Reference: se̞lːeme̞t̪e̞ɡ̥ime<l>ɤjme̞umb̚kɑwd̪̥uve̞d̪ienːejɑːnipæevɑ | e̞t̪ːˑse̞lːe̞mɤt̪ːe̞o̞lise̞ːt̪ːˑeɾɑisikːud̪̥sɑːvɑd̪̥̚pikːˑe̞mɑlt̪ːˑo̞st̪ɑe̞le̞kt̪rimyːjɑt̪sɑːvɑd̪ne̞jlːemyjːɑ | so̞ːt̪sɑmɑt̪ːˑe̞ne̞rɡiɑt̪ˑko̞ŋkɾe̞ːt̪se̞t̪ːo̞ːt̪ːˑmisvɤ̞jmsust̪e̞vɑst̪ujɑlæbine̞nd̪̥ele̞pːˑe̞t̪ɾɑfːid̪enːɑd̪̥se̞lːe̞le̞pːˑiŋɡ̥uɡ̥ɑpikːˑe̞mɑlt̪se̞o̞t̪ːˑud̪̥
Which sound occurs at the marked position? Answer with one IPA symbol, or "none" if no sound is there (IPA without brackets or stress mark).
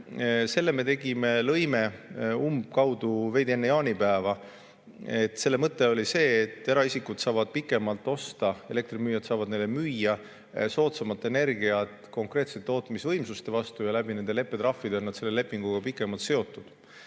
l